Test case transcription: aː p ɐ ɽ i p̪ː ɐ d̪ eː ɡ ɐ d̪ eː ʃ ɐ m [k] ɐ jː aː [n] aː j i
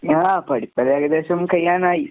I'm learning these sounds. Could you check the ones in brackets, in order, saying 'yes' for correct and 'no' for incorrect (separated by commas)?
yes, yes